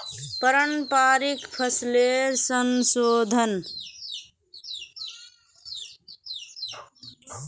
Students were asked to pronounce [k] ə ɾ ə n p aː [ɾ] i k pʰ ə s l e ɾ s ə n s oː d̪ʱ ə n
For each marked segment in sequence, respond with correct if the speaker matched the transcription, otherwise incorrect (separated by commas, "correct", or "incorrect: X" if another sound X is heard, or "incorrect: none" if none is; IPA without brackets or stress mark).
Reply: incorrect: p, correct